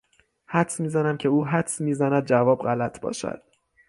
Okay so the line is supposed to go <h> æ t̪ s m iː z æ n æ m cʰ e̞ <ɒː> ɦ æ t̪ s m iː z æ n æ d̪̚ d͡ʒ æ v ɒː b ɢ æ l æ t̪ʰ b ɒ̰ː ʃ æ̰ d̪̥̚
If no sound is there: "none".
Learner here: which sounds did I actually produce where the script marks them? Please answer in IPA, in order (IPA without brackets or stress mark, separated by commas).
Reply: h, uː